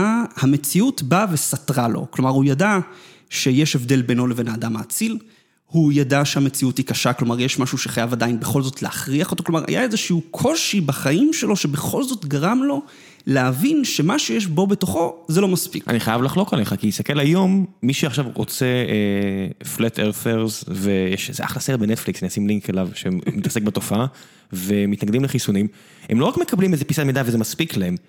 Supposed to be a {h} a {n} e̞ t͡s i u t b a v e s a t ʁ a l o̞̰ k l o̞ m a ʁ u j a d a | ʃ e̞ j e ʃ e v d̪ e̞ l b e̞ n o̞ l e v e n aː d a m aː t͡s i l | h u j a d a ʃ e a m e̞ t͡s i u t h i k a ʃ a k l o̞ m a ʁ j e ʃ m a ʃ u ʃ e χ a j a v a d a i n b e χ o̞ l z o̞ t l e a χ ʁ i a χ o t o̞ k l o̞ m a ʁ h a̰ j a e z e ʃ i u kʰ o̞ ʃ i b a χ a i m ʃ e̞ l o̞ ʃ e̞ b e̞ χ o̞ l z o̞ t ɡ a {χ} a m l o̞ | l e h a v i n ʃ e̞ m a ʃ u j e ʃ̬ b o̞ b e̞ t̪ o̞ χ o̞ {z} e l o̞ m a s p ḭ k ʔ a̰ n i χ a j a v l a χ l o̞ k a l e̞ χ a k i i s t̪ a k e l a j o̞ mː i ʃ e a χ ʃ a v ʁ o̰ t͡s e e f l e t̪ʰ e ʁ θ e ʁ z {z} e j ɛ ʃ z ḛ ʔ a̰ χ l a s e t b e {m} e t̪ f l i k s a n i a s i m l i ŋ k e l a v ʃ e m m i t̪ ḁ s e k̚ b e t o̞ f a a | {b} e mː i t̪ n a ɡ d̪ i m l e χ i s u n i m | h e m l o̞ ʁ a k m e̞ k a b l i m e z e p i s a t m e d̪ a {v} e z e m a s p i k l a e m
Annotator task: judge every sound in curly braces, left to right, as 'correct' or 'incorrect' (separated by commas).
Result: correct, incorrect, incorrect, correct, incorrect, incorrect, incorrect, correct